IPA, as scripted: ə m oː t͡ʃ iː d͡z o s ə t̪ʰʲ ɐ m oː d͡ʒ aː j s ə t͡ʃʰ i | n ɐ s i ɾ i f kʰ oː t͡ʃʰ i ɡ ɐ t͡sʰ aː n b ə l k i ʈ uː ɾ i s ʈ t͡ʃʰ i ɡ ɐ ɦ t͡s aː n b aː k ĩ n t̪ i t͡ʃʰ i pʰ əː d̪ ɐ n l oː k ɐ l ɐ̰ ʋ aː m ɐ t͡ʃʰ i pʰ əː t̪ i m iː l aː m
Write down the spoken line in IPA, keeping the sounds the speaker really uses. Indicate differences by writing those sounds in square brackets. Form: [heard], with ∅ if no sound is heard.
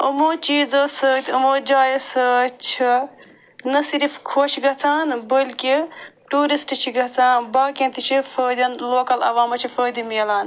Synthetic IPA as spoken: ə m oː t͡ʃ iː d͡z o s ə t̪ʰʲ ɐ m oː d͡ʒ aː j s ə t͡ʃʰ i | n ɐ s i ɾ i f kʰ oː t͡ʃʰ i ɡ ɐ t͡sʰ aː n b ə l k i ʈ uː ɾ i s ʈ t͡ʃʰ i ɡ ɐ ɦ t͡s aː n b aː k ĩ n t̪ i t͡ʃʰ i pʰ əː d̪ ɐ n l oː k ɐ l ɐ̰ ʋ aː m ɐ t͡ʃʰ i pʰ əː [d̪] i m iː l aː [n]